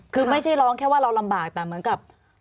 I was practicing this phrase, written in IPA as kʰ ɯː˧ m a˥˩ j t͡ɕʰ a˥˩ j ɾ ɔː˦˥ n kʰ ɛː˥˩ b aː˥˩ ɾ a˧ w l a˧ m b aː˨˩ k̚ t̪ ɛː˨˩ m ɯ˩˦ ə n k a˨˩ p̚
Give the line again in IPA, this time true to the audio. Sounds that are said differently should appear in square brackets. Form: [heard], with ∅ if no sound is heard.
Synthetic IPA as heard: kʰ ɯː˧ m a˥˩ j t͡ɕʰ a˥˩ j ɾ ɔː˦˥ [ŋ] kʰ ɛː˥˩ [w] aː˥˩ ɾ a˧ w l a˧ m b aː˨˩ k̚ t̪ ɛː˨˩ m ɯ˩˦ ə n k a˨˩ p̚